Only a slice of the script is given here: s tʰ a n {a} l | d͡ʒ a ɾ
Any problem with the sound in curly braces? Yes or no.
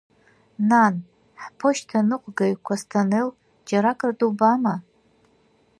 yes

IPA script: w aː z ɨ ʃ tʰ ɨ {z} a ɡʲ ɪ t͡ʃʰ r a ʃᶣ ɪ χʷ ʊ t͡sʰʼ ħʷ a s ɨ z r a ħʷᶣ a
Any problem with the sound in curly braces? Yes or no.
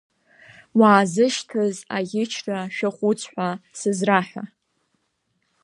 no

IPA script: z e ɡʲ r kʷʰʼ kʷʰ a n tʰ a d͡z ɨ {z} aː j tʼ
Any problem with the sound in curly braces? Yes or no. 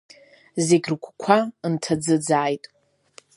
yes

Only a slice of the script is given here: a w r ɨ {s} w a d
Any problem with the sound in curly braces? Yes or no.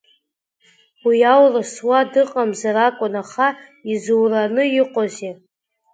no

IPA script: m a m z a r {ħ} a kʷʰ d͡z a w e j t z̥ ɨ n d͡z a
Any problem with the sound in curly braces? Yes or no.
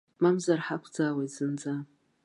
no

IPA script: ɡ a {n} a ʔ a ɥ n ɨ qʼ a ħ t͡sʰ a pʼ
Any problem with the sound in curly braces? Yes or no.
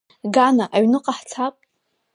no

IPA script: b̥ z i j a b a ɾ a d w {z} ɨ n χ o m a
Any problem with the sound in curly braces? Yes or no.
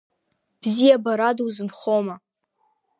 no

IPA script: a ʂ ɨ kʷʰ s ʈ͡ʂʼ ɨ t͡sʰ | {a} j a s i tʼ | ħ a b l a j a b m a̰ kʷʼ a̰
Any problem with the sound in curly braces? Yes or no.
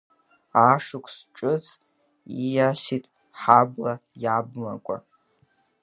yes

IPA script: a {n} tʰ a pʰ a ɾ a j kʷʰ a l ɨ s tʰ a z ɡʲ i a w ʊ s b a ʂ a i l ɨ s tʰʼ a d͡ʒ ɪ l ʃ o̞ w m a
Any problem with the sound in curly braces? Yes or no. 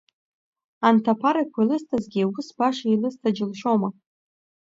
no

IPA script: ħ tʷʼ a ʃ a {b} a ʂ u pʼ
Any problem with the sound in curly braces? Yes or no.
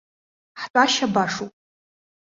no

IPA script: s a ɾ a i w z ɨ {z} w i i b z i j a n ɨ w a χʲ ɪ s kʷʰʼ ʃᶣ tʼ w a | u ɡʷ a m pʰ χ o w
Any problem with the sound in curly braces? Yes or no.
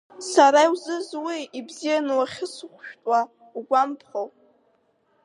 no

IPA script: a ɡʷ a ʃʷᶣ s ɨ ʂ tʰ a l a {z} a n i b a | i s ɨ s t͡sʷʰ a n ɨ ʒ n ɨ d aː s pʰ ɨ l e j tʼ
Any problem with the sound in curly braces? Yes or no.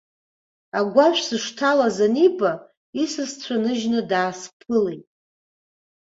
no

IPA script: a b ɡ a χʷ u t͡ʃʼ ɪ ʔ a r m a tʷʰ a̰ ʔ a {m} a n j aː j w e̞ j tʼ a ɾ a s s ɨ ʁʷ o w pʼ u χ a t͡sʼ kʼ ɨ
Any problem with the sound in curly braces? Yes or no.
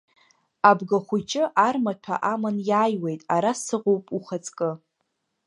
no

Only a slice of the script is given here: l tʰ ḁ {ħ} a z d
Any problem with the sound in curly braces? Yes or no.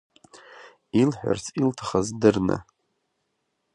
yes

